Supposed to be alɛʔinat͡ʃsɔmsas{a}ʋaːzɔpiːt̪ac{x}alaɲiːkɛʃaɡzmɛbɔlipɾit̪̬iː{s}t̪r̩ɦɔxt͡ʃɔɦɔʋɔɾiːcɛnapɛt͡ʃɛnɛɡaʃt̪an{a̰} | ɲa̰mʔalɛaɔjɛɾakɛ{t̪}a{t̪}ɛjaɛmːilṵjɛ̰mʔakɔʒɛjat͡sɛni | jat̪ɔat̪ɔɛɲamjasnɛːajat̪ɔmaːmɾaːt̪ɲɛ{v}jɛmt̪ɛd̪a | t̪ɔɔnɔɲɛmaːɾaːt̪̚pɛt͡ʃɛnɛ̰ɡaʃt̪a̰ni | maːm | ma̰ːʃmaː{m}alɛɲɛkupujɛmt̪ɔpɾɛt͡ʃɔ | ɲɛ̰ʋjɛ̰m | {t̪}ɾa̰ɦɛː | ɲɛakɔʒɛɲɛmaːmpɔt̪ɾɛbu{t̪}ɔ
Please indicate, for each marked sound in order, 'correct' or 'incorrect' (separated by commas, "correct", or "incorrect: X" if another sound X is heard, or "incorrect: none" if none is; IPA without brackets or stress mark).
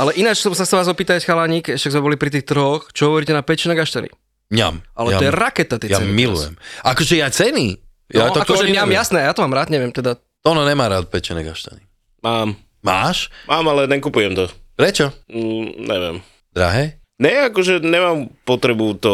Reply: correct, correct, incorrect: x, incorrect: ḭ, correct, correct, incorrect: ʋ, correct, incorrect: d̪, correct